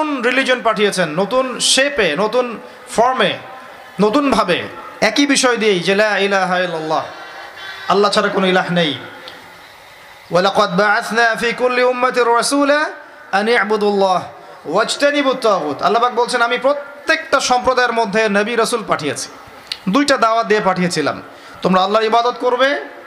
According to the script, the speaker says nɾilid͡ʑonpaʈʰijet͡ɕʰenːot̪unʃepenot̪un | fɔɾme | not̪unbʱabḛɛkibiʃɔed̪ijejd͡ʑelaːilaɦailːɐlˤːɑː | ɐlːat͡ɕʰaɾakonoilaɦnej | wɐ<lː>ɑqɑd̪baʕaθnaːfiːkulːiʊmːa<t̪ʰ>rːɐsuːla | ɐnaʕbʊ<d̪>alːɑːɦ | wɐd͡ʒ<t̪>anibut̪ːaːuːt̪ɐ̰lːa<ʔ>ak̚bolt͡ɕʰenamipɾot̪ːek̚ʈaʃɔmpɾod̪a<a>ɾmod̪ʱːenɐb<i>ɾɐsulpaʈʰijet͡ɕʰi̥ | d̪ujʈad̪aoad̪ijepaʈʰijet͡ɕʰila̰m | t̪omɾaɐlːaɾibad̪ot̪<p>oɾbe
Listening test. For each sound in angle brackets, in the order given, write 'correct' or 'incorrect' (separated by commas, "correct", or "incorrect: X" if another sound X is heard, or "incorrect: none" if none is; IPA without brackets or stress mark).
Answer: incorrect: l, incorrect: t̪, correct, correct, incorrect: p, incorrect: e, correct, incorrect: k